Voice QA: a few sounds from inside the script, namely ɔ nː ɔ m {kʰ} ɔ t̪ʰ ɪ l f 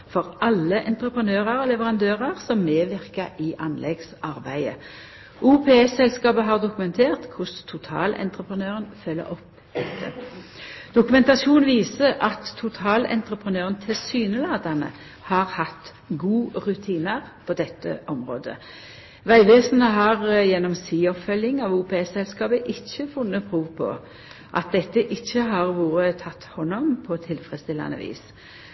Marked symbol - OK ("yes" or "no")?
no